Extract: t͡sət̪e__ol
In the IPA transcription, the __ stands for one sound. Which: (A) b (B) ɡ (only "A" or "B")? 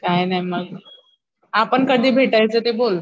A